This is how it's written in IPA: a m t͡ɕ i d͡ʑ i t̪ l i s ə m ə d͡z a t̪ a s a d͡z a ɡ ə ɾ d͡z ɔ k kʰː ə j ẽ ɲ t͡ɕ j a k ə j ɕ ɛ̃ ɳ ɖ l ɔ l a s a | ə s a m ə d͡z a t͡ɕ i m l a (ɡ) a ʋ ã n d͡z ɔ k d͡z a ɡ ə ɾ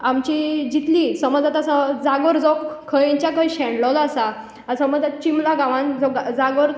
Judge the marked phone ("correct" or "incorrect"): correct